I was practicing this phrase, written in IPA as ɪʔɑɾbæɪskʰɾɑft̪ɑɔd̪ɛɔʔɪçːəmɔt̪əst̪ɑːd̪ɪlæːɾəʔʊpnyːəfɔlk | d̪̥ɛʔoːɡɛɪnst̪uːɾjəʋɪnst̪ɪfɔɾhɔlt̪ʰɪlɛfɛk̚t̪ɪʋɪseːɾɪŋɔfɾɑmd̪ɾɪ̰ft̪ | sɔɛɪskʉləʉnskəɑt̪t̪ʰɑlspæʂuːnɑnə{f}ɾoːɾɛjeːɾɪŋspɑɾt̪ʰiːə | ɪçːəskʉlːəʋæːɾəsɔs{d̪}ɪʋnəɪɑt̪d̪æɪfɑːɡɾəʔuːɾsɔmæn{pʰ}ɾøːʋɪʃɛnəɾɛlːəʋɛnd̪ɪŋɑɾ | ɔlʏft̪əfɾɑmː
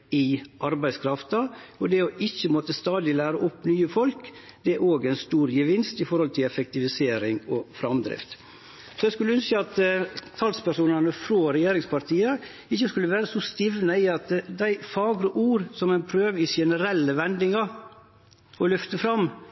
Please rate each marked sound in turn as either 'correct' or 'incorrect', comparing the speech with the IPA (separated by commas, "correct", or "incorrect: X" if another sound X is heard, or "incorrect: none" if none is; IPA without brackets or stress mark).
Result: correct, incorrect: t̪, correct